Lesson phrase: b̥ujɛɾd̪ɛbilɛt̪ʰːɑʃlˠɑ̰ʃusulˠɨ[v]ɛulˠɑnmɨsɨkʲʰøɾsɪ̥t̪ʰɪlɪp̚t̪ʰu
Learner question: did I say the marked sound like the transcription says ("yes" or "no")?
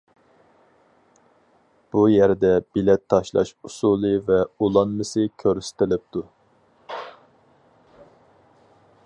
yes